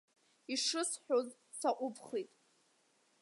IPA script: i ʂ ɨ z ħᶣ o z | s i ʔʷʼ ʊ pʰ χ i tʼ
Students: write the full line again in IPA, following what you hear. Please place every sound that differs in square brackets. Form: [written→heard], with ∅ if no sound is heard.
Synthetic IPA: i ʂ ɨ [z→s] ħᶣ o z | s [i→a] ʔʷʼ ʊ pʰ χ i tʼ